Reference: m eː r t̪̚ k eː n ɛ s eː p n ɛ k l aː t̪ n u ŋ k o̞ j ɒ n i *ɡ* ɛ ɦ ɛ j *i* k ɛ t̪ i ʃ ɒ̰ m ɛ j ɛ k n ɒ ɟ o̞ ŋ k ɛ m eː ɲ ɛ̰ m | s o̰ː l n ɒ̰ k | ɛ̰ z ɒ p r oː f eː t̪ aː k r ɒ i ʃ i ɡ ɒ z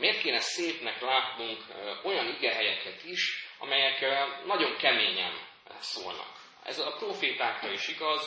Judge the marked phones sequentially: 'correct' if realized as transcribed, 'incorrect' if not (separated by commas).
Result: correct, incorrect